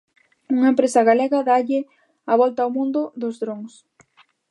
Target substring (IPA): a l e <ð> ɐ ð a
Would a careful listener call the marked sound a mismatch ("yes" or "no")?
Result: yes